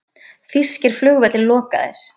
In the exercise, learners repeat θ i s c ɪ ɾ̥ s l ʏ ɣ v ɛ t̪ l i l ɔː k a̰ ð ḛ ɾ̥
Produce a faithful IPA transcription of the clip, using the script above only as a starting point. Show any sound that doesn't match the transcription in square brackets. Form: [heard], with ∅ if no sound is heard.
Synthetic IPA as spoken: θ i s c ɪ ɾ̥ [f] l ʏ ɣ v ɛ t̪ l [ɪ] l ɔː k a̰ ð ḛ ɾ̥